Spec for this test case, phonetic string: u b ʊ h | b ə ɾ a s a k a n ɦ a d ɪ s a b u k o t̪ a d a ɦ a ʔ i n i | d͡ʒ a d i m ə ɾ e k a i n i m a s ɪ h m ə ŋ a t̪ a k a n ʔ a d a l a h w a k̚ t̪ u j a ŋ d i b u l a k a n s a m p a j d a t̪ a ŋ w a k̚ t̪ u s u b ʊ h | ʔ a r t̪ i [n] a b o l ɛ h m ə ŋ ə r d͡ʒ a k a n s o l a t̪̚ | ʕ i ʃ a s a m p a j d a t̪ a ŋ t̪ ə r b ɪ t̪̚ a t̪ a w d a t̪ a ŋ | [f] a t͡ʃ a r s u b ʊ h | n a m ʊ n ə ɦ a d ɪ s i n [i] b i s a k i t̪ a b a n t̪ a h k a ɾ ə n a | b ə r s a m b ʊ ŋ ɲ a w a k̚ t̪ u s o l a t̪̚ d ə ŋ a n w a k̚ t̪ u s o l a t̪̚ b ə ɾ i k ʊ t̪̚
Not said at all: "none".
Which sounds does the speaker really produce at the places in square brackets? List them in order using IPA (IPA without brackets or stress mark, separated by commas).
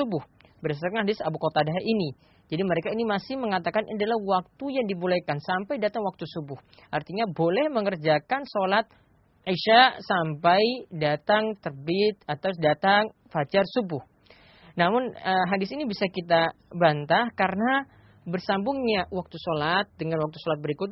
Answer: ɲ, f, i